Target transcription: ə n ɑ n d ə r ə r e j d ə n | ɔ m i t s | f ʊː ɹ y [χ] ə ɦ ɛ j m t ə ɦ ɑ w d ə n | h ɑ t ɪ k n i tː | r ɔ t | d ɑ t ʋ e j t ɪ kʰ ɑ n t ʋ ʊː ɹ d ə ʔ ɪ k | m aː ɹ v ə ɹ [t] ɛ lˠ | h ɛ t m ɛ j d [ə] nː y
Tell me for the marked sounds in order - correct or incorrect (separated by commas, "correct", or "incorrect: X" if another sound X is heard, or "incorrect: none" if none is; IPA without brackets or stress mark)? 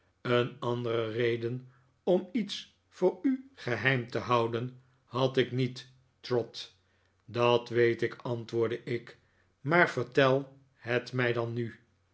correct, correct, incorrect: ɑ